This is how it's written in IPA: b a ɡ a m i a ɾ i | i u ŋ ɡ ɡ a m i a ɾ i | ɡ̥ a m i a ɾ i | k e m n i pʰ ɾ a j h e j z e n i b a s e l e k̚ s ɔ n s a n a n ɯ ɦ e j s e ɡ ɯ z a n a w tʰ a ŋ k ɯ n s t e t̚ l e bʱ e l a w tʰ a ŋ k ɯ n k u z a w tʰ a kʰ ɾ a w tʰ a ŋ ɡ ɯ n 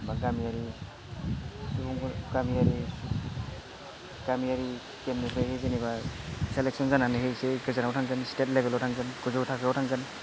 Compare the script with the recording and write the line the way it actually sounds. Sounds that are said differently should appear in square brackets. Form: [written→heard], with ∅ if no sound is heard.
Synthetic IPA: b a ɡ a m i a ɾ i | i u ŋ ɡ ɡ a m i a ɾ i | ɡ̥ a m i a ɾ i | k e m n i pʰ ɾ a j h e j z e n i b a s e l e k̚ s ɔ n [s→z] a n a n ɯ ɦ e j s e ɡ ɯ z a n a w tʰ a ŋ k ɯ n s t e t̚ l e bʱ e l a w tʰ a ŋ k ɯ n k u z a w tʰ a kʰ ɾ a w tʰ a ŋ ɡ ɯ n